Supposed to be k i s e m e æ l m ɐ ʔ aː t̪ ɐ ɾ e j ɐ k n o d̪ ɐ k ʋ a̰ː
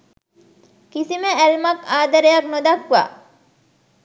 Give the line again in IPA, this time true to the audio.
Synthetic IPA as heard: k i s i m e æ l m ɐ k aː d̪ ɐ ɾ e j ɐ k n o d̪ ɐ k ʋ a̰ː